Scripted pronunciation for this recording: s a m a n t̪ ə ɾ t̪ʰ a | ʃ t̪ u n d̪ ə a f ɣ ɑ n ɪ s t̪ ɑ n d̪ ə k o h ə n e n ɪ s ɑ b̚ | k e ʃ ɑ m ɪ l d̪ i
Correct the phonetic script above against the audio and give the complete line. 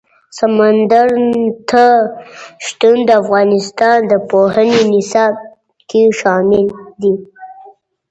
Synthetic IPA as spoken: s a m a n d̪ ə ɾ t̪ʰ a | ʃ t̪ u n d̪ ə a f ɣ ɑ n ɪ s t̪ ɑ n d̪ ə p o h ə n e n ɪ s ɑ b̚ | k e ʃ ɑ m ɪ l d̪ i